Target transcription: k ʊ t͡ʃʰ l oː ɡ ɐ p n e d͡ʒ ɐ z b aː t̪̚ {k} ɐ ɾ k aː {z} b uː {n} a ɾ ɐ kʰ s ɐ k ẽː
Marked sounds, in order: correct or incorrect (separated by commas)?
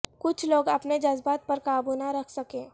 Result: incorrect, incorrect, correct